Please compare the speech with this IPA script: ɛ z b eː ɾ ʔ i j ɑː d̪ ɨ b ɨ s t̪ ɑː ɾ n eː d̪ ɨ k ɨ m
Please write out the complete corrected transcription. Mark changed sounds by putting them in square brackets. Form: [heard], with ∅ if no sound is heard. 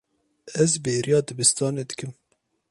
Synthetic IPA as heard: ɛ z b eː ɾ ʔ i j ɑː d̪ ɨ b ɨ s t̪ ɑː [∅] n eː d̪ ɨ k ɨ m

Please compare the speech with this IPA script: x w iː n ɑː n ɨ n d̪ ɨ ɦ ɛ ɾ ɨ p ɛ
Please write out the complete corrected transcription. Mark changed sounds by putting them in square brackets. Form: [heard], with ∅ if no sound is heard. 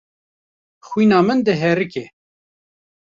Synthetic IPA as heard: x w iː n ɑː [m] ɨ n d̪ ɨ ɦ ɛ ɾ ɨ [k] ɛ

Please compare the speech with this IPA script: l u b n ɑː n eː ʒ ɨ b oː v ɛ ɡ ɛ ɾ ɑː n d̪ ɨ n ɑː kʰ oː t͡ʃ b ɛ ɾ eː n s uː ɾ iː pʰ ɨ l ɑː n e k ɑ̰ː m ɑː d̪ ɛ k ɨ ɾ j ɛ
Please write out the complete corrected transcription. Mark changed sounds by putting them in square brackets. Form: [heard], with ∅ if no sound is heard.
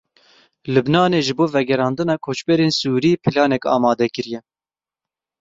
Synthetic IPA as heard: l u b n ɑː n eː ʒ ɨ b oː v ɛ ɡ ɛ ɾ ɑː n d̪ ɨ n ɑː kʰ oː t͡ʃ b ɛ ɾ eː n s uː ɾ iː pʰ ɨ l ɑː n [ɛ] k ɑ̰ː m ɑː d̪ ɛ k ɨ ɾ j ɛ

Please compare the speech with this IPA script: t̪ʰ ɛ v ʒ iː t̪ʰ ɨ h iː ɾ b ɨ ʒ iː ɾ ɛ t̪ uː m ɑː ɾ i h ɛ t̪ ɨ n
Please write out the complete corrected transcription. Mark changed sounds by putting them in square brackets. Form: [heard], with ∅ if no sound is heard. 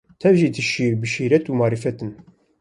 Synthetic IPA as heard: t̪ʰ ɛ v ʒ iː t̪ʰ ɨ [ʃ] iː ɾ b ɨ [ʃ] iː ɾ ɛ t̪ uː m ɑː ɾ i [f] ɛ t̪ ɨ n

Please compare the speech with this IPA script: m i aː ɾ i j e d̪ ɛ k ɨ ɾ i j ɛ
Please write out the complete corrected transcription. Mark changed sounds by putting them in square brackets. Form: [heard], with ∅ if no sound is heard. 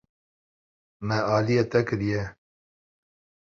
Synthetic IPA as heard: m [ɛ] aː [l] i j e [t̪] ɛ k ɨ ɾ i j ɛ

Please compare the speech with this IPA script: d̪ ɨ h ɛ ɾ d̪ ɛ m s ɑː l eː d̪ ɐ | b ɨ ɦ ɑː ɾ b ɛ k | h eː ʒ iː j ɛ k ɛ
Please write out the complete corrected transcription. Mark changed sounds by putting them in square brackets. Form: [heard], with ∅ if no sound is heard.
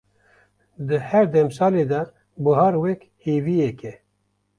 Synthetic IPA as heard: d̪ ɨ h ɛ ɾ d̪ ɛ m s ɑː l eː d̪ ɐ | b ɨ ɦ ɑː ɾ [w] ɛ k | h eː [v] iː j ɛ k ɛ

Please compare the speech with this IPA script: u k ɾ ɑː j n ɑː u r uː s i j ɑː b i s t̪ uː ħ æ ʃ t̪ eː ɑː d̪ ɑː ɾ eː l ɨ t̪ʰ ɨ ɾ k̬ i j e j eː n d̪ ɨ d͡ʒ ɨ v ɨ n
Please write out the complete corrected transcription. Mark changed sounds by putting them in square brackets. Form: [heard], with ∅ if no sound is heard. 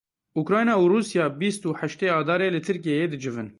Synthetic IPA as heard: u k ɾ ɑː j n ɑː u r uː s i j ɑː b i s t̪ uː ħ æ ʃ t̪ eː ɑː d̪ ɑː ɾ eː l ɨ t̪ʰ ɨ ɾ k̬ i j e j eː [∅] d̪ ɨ d͡ʒ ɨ v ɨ n

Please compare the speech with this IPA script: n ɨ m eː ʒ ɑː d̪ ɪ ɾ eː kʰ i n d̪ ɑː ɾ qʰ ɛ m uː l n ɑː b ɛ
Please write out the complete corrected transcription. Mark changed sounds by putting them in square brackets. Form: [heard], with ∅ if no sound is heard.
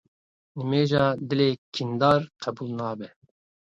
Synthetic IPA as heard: n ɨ m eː ʒ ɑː d̪ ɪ [l] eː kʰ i n d̪ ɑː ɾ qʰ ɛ [b] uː l n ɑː b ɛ

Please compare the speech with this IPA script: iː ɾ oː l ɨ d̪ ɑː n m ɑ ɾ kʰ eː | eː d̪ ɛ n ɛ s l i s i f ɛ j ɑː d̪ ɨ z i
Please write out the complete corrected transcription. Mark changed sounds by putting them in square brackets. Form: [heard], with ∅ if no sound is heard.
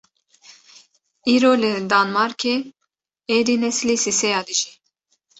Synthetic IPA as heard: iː ɾ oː l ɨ d̪ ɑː n m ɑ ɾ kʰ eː | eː d̪ [i] n ɛ s l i s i [s] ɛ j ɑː d̪ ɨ [ʒ] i

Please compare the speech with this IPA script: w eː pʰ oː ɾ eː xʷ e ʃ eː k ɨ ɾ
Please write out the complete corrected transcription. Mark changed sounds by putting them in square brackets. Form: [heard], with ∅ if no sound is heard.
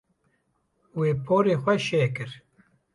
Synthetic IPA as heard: w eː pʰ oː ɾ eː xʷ [ɛ] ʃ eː k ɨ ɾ

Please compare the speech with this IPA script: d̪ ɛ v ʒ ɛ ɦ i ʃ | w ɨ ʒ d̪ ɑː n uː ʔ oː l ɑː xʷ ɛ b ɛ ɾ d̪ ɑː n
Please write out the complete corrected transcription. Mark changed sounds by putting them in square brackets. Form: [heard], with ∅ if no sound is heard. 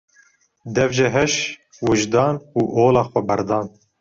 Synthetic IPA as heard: d̪ ɛ v ʒ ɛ ɦ [ɛ] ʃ | w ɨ ʒ d̪ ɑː n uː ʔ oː l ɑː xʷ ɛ b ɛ ɾ d̪ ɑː n

